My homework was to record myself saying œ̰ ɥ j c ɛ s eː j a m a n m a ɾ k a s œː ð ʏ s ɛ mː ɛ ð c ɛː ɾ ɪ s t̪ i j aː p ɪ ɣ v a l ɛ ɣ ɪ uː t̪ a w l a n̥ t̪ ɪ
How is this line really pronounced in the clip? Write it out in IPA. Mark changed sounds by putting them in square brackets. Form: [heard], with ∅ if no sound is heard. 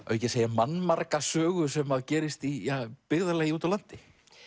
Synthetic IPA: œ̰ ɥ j c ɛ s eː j a m a n m a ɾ k a s œː [ɣ] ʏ s ɛ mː [a] ð c ɛː ɾ ɪ s t̪ i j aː p ɪ ɣ [ð] a l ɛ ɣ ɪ uː t̪ a w l a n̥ t̪ ɪ